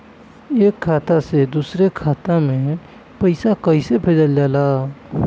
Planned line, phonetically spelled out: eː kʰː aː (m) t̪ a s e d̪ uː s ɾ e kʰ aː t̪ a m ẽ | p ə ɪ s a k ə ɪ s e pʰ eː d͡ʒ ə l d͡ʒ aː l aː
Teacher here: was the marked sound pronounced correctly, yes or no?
no